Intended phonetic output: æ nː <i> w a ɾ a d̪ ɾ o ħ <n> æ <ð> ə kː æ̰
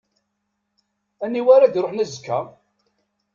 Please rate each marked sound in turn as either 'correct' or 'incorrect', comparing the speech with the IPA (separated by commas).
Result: correct, correct, incorrect